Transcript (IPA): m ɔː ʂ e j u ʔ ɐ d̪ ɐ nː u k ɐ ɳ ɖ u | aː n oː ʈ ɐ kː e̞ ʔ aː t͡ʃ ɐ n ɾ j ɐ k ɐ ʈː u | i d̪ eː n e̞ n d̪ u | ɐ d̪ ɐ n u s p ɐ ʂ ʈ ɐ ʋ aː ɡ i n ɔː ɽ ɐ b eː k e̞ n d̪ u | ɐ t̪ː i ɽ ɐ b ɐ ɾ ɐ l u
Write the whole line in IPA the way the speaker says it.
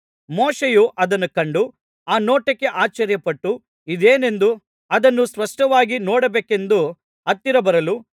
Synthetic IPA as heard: m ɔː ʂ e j u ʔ ɐ d̪ ɐ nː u k ɐ ɳ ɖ u | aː n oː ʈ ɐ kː e̞ ʔ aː t͡ʃ ɐ ɾ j ɐ p ɐ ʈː u | i d̪ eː n e̞ n d̪ u | ɐ d̪ ɐ nː u s p ɐ ʂ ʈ ɐ ʋ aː ɡ i n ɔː ɽ ɐ b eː k e̞ n d̪ u | ɐ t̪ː i ɾ ɐ b ɐ ɾ ɐ l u

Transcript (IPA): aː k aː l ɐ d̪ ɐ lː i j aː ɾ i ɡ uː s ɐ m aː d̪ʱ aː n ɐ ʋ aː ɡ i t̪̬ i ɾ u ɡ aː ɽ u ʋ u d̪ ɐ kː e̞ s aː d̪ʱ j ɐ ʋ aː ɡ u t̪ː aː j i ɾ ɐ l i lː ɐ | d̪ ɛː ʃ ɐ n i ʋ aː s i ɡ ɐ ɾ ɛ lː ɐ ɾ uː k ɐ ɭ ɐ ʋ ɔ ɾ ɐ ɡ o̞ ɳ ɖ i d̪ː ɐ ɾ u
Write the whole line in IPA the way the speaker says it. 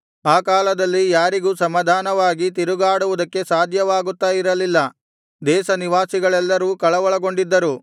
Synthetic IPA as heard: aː k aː l ɐ d̪ ɐ lː i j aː ɾ i ɡ uː s ɐ m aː d̪ʱ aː n ɐ ʋ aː ɡ i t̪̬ i ɾ u ɡ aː ɽ u ʋ u d̪ ɐ kː e̞ s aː d̪ʱ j ɐ ʋ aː ɡ u t̪ː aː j i ɾ ɐ l i lː ɐ | d̪ ɛː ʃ ɐ n i ʋ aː s i ɡ ɐ ɭ ɛ lː ɐ ɾ uː k ɐ ɭ ɐ ʋ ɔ ɭ ɐ ɡ o̞ ɳ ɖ i d̪ː ɐ ɾ u

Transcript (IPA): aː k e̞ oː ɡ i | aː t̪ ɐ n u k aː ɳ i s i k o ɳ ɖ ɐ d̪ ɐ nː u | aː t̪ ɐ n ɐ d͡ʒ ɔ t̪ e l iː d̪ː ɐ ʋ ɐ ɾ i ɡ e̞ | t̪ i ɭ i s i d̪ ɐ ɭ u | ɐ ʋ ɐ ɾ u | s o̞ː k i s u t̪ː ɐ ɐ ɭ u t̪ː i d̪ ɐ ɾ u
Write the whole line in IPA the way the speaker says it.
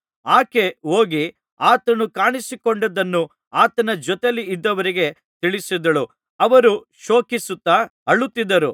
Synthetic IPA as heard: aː k e̞ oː ɡ i | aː t̪ ɐ n u k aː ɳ i s i k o ɳ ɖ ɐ d̪ ɐ nː u | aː t̪ ɐ n ɐ d͡ʒ ɔ t̪ e l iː d̪ː ɐ ʋ ɐ ɾ i ɡ e̞ | t̪ i ɭ i s i d̪ ɐ ɭ u | ɐ ʋ ɐ ɾ u | ʃ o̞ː k i s u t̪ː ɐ ɐ ɭ u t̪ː i d̪ ɐ ɾ u

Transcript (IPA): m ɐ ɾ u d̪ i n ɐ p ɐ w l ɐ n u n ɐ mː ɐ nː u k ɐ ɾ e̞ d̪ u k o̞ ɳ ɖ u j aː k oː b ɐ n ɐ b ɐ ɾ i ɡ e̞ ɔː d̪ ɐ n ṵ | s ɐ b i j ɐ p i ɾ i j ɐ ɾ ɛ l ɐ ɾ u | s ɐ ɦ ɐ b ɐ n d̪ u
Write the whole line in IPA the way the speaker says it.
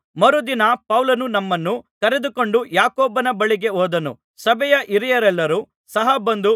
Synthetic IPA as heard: m ɐ ɾ u d̪ i n ɐ p ɐ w l ɐ n u n ɐ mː ɐ nː u k ɐ ɾ e̞ d̪ u k o̞ ɳ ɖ u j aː k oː b ɐ n ɐ b ɐ ɭ i ɡ e̞ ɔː d̪ ɐ n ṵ | s ɐ b ɛ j ɐ ʔ i ɾ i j ɐ ɾ ɛ lː ɐ ɾ u | s ɐ ɦ ɐ b ɐ n d̪ u

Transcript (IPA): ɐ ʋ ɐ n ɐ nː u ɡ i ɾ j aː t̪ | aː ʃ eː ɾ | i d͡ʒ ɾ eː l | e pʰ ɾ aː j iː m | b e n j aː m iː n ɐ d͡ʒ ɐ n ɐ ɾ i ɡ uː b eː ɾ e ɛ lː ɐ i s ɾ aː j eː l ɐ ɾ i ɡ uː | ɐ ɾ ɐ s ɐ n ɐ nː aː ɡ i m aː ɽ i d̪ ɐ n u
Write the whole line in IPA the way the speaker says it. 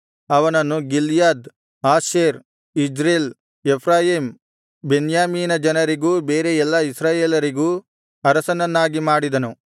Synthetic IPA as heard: ɐ ʋ ɐ n ɐ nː u ɡ i l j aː d̪ | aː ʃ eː ɾ | i d͡ʒ ɾ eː l | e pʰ ɾ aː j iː m | b e n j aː m iː n ɐ d͡ʒ ɐ n ɐ ɾ i ɡ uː b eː ɾ e ɛ lː ɐ i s ɾ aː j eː l ɐ ɾ i ɡ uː | ɐ ɾ ɐ s ɐ n ɐ nː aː ɡ i m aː ɽ i d̪ ɐ n u

